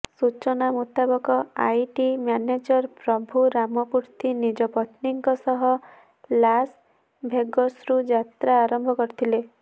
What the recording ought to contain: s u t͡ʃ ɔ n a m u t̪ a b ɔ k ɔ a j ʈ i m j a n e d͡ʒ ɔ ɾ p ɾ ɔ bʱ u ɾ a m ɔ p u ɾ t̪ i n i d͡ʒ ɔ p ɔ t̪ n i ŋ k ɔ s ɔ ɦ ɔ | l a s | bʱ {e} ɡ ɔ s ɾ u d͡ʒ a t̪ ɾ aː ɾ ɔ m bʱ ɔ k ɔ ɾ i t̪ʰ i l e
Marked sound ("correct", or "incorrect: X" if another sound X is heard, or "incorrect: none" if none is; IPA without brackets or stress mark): correct